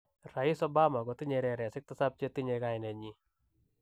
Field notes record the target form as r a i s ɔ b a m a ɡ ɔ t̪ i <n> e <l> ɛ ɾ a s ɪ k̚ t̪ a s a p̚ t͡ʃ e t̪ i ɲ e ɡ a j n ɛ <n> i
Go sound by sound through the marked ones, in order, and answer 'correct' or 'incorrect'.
incorrect: ɲ, incorrect: ɾ, incorrect: ɲ

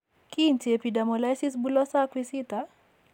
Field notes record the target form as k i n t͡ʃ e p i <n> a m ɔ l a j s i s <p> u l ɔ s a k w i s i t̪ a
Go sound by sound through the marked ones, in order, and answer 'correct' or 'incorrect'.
incorrect: d, incorrect: b

